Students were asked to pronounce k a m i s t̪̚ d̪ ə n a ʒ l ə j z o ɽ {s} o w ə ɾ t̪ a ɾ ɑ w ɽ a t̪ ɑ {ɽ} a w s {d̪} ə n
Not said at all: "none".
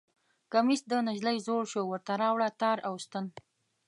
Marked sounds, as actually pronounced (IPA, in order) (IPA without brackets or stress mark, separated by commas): ʃ, ɾ, t̪